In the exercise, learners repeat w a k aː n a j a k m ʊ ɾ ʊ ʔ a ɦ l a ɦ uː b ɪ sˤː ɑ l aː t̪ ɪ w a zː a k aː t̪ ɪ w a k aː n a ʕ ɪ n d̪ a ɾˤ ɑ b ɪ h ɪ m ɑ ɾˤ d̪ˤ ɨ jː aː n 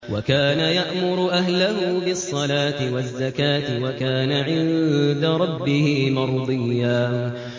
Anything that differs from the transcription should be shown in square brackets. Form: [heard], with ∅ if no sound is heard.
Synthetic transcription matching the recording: w a k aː n a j a [ʔ] m ʊ ɾ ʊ ʔ a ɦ l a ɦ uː b ɪ sˤː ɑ l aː t̪ ɪ w a zː a k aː t̪ ɪ w a k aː n a ʕ ɪ n d̪ a ɾˤ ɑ [bː] ɪ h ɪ m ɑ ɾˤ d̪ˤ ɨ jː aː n